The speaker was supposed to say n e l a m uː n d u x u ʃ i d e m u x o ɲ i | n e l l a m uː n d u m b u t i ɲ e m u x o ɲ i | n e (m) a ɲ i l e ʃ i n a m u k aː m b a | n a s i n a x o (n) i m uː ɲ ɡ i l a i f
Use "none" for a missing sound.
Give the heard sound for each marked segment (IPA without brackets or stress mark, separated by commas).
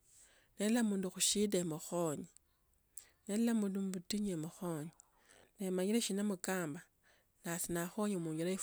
m, ɲ